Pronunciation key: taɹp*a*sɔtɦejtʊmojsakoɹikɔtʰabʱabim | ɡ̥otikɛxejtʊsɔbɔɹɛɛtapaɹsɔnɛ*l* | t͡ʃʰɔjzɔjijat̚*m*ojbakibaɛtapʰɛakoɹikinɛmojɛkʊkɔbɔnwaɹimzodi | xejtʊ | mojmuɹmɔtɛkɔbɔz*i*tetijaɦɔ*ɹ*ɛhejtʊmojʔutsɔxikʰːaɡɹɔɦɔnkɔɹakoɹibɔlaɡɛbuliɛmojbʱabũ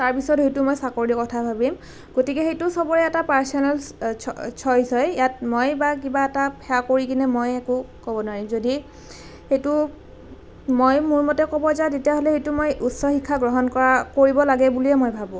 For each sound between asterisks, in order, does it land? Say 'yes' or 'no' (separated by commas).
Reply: no, yes, yes, no, no